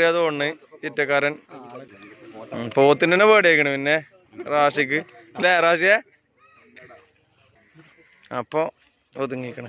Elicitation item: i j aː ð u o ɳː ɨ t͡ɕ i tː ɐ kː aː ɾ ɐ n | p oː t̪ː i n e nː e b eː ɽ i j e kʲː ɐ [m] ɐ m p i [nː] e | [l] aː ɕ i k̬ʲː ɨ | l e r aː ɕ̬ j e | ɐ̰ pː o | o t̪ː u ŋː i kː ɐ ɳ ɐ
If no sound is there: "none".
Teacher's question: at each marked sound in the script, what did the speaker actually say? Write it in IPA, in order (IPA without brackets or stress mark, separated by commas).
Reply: ɳ, nː, r